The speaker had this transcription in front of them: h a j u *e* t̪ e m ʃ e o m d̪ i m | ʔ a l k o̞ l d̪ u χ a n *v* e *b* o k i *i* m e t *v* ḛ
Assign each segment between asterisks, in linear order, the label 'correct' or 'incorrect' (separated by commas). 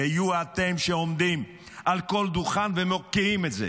incorrect, correct, incorrect, correct, incorrect